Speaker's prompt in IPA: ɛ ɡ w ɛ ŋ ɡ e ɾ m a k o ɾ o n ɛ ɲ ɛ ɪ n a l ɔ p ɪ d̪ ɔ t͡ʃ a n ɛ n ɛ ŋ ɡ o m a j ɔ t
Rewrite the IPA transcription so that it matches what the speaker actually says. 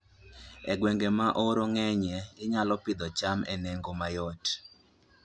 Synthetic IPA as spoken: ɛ ɡ w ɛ ŋ ɡ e m a ʔ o ɾ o ŋ ɛ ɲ ɛ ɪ ɲ a l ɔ p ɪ d̪ ɔ t͡ʃ a m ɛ n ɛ ŋ ɡ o m a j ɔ t